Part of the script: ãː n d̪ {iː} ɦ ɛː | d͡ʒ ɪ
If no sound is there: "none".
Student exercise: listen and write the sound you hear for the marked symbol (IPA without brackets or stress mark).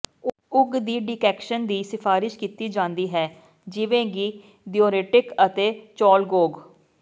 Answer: iː